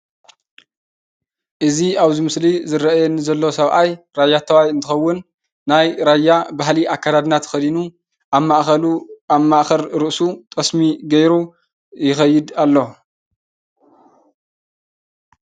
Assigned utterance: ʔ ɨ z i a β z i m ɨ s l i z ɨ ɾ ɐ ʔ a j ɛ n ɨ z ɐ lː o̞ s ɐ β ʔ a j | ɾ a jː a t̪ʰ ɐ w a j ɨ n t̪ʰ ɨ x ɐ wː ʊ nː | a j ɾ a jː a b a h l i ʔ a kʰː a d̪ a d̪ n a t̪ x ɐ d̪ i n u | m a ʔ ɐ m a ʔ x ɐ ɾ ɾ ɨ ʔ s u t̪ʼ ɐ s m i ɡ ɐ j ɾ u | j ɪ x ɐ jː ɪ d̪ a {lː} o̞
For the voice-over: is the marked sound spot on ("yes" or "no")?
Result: yes